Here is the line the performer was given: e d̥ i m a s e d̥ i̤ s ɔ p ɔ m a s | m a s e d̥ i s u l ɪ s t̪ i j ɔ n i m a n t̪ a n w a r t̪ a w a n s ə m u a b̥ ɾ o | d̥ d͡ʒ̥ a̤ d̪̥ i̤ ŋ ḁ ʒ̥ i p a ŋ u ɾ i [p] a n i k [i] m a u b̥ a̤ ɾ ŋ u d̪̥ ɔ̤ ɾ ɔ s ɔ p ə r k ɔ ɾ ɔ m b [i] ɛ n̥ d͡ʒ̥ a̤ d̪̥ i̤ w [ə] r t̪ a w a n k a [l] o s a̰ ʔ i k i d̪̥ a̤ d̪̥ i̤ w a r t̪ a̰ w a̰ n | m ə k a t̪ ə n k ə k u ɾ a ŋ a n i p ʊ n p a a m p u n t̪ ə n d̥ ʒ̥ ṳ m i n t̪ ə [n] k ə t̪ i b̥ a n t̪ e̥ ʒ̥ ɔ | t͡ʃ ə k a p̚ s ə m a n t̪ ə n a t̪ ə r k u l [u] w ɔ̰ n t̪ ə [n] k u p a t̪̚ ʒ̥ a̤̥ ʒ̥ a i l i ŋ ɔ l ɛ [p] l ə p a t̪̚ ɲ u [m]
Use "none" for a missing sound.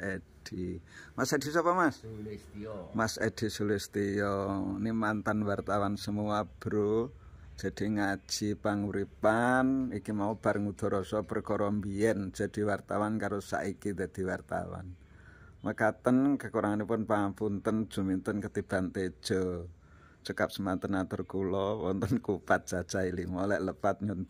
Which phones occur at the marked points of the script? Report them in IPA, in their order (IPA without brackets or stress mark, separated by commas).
p, i, i, a, ɾ, n, ɔ, n, ʔ, n